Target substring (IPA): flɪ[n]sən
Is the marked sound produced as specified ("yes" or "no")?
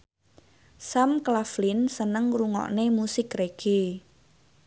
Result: yes